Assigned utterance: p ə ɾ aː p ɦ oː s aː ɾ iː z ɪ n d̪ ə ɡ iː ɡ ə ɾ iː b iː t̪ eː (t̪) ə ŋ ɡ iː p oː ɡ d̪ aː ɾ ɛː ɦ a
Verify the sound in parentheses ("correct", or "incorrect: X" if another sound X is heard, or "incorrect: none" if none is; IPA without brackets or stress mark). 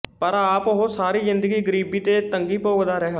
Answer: correct